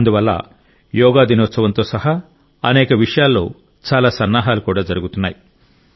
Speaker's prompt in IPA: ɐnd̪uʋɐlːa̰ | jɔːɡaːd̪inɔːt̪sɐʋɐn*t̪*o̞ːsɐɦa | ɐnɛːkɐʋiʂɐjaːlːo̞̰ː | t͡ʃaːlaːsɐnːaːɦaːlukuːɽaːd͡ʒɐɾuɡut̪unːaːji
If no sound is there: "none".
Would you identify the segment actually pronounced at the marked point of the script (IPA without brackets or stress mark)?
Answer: t̪